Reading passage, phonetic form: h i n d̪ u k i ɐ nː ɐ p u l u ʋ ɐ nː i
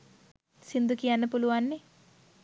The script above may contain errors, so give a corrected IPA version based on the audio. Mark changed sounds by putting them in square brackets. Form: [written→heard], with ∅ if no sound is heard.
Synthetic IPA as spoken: [h→s] i n d̪ u k i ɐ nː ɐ p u l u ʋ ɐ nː i